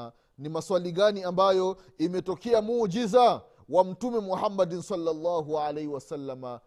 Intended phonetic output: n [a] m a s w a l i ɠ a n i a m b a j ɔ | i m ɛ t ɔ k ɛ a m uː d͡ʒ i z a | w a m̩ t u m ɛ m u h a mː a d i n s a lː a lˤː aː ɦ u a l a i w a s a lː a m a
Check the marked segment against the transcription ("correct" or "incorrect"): incorrect